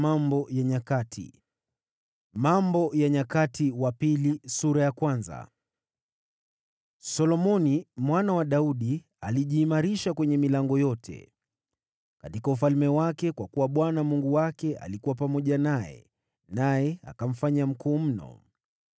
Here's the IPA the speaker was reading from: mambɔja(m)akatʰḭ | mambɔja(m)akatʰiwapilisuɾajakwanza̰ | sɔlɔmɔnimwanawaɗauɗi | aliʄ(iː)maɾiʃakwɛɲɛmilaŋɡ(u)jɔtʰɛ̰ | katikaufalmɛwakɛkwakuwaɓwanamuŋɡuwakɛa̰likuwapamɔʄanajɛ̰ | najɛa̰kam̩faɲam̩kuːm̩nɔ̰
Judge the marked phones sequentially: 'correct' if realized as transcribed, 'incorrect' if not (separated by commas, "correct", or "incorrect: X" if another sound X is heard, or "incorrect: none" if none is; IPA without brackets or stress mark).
incorrect: ɲ, incorrect: ɲ, correct, incorrect: ɔ